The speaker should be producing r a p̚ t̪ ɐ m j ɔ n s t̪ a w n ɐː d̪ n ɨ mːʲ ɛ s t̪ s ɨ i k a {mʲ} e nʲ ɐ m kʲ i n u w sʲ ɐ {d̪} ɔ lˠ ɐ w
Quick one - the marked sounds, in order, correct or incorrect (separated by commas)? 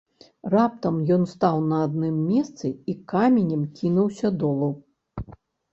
correct, correct